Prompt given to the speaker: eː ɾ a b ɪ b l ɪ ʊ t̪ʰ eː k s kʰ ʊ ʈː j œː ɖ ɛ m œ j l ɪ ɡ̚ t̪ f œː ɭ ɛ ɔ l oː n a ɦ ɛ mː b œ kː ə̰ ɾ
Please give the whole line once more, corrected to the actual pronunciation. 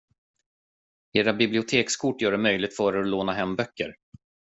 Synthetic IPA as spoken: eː ɾ a b ɪ b l ɪ ʊ t̪ʰ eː k s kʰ ʊ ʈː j œː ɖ ɛ m œ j l ɪ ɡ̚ t̪ f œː ɾ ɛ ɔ l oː n a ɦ ɛ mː b œ kː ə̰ ɾ